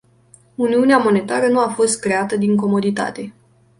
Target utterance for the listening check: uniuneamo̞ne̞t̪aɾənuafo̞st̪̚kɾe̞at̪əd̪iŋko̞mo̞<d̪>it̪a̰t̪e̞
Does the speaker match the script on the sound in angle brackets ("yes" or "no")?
yes